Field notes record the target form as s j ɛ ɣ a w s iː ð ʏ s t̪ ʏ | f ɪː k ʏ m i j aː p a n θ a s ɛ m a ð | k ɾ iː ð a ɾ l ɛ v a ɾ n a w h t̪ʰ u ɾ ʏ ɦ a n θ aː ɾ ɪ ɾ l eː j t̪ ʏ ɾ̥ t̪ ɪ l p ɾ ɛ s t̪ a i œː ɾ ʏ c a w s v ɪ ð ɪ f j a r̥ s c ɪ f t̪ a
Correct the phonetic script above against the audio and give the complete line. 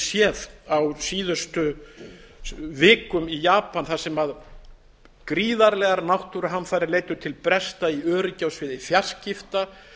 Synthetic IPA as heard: s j ɛ ð a w s iː ð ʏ s t̪ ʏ | v ɪː k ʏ m i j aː p a n θ a s ɛ m a ð | k ɾ iː ð a ɾ l ɛ ɣ a ɾ n a w h t̪ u ɾ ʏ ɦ a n f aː ɾ ɪ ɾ l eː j t̪ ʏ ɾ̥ t̪ʰ ɪ l p ɾ ɛ s t̪ a i œː ɾ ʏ c a w s v ɪ ð ɪ f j a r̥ s c ɪ f t̪ a